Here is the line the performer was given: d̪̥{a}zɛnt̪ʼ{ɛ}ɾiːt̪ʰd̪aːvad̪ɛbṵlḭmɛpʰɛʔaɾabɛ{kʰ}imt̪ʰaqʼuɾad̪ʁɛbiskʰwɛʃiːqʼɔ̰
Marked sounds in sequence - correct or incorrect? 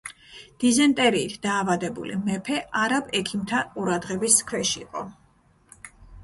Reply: incorrect: i, correct, correct

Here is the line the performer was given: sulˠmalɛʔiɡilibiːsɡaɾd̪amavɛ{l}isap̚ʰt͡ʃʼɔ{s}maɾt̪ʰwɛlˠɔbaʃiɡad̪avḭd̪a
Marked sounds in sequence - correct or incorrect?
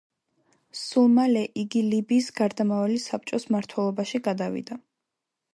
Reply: correct, correct

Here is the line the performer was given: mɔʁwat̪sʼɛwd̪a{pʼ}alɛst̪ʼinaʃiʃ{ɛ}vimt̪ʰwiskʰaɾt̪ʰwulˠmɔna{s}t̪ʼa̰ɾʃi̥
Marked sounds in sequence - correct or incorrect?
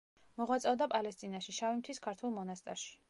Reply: correct, incorrect: a, correct

